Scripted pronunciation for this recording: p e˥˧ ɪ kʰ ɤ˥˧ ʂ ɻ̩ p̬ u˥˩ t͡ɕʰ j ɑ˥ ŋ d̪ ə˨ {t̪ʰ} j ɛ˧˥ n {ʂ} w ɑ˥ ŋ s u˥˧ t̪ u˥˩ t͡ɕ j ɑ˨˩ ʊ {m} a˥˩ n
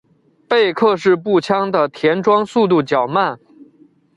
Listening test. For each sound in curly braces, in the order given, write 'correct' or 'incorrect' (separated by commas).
correct, incorrect, correct